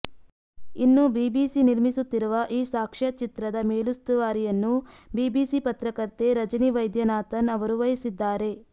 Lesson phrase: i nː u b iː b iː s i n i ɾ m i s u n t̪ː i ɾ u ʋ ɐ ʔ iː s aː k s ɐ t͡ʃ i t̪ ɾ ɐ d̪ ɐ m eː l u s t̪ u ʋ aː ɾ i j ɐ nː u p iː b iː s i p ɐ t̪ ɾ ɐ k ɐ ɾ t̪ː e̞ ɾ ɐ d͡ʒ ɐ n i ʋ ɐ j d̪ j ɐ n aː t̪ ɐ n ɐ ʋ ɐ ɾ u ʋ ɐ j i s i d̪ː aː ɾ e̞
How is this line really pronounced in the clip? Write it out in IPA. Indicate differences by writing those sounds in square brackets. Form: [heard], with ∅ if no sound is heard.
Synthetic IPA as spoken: i nː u b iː b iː s i n i ɾ m i s u [∅] t̪ː i ɾ u ʋ ɐ ʔ iː s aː k [ʂ] ɐ t͡ʃ i t̪ ɾ ɐ d̪ ɐ m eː l u s t̪ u ʋ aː ɾ i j ɐ nː u [b] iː b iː s i p ɐ t̪ ɾ ɐ k ɐ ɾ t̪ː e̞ ɾ ɐ d͡ʒ ɐ n i ʋ ɐ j d̪ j ɐ n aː t̪ ɐ n ɐ ʋ ɐ ɾ u ʋ ɐ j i s i d̪ː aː ɾ e̞